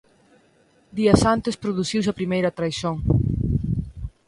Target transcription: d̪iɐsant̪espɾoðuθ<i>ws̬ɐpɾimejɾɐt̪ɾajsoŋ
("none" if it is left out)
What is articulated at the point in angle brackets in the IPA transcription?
i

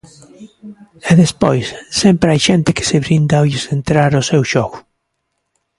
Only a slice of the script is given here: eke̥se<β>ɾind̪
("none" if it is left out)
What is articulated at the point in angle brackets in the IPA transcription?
β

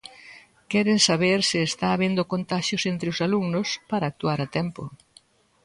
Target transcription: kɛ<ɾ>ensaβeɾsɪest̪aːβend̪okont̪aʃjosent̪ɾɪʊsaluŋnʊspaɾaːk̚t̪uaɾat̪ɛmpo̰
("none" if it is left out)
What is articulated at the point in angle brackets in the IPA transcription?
ɾ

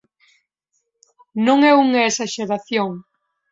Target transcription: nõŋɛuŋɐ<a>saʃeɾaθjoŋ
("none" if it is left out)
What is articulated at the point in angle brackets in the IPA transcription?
e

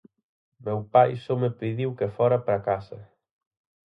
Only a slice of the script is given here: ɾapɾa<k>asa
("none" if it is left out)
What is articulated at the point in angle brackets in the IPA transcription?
k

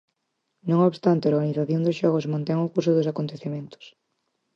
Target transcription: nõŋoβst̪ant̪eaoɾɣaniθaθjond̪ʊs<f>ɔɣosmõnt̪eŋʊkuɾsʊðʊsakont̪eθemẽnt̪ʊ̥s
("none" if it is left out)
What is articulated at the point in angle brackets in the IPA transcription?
ʃ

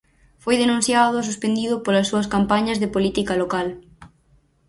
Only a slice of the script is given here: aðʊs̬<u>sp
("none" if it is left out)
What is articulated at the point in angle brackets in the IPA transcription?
u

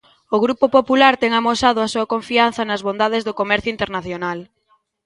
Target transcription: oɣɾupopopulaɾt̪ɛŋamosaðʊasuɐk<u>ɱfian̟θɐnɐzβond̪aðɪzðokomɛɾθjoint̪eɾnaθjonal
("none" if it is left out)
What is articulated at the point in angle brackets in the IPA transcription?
o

